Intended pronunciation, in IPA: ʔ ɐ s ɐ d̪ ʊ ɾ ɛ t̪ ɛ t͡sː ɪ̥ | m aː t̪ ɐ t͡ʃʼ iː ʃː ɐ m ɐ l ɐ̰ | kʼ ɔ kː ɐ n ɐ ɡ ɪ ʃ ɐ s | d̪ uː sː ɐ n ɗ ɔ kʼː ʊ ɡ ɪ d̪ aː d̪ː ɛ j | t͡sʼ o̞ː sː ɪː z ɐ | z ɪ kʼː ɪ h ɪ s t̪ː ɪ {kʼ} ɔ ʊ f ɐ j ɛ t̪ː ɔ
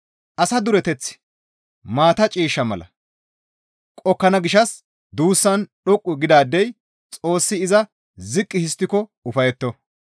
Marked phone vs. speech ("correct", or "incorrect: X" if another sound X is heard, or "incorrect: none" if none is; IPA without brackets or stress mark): incorrect: k